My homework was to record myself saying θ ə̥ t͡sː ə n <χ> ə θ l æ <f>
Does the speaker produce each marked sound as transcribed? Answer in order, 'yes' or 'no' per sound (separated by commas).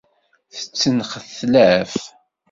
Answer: yes, yes